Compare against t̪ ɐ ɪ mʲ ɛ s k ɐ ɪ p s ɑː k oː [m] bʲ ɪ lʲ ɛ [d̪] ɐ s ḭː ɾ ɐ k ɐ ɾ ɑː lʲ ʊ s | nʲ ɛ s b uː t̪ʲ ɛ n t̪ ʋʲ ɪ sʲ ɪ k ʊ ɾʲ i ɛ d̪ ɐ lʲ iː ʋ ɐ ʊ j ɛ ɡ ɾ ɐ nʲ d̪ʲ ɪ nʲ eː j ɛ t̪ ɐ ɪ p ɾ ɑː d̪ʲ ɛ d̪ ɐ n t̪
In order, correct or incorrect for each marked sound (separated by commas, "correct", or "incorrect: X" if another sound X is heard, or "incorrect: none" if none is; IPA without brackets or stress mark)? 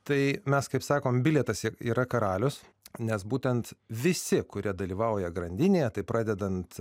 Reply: correct, incorrect: t̪